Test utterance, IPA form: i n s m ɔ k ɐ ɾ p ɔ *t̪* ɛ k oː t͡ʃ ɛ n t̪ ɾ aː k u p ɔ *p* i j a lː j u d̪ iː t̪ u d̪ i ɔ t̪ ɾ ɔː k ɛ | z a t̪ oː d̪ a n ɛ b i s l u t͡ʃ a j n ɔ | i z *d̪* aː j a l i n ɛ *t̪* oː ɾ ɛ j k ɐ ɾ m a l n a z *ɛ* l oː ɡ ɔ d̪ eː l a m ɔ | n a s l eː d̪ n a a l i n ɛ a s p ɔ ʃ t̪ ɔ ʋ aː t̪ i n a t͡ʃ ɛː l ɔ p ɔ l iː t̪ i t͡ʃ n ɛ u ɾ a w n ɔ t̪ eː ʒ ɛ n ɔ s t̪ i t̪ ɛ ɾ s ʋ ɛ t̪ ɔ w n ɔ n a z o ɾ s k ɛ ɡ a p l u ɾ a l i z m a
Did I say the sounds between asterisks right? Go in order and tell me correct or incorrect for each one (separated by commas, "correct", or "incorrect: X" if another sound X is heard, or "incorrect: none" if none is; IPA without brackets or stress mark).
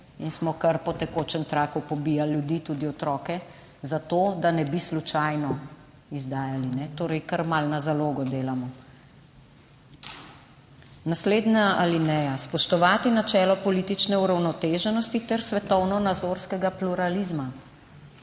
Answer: correct, incorrect: b, correct, correct, incorrect: a